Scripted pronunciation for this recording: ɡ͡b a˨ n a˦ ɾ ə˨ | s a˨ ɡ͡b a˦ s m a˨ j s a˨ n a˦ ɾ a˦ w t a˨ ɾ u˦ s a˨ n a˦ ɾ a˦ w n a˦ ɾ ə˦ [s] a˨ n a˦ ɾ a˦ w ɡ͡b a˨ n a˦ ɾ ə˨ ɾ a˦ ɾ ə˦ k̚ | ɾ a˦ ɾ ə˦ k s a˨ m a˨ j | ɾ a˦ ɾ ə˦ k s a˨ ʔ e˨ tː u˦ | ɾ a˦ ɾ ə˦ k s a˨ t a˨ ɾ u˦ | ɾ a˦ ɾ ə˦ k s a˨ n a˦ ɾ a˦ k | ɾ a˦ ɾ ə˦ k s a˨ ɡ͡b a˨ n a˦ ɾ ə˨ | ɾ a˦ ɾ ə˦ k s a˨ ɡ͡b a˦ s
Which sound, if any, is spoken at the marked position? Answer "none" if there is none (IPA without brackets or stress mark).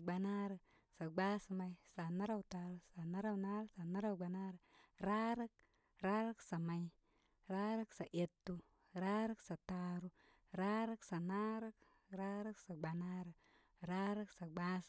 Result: s